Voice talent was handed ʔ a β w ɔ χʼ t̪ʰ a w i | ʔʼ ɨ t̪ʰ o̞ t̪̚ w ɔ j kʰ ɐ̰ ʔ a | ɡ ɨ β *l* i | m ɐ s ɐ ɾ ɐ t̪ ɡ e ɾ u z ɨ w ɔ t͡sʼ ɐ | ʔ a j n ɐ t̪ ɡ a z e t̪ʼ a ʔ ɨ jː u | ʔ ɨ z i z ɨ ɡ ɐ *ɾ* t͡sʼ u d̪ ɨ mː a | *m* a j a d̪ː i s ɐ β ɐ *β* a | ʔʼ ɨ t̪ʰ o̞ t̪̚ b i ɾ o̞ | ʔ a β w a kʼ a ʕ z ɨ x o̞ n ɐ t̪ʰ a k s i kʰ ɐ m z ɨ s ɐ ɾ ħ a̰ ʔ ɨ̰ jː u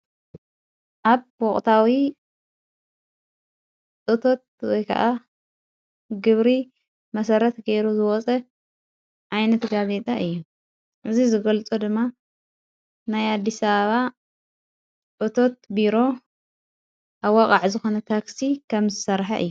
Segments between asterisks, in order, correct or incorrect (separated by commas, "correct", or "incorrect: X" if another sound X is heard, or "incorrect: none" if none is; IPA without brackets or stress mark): incorrect: ɾ, incorrect: l, incorrect: n, correct